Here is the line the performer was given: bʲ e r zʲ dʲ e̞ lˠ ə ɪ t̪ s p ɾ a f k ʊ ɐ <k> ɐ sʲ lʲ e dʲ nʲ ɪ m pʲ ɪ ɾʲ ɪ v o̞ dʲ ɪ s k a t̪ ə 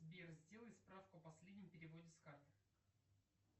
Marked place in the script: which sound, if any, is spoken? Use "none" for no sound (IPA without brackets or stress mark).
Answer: p